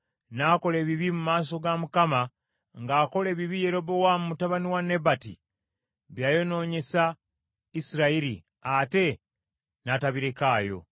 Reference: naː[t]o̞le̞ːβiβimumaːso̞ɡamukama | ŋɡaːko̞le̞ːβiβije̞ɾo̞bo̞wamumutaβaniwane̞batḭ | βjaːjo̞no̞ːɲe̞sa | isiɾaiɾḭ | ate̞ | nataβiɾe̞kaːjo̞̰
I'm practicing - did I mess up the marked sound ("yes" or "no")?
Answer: yes